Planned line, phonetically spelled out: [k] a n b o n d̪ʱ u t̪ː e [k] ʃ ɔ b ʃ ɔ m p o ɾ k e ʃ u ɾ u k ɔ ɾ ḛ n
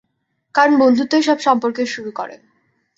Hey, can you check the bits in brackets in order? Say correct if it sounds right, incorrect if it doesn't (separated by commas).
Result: correct, incorrect